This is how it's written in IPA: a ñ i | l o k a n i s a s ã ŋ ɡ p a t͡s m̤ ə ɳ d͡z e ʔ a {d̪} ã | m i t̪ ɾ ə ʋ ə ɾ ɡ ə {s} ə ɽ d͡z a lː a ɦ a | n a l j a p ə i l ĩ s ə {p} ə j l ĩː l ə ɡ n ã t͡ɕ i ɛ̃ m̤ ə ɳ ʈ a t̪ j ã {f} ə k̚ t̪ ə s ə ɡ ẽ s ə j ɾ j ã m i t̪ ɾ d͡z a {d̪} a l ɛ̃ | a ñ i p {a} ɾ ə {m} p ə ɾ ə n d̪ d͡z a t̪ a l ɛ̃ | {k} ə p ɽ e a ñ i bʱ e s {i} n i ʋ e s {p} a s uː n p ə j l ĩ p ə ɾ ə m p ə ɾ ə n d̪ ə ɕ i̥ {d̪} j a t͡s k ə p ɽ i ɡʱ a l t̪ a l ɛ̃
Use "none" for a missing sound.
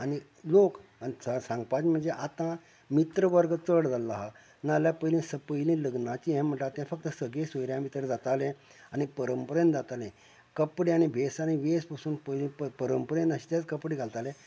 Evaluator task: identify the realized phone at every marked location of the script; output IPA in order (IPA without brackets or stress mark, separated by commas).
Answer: t̪, t͡s, p, f, t̪, ə, m, k, a, p, t̪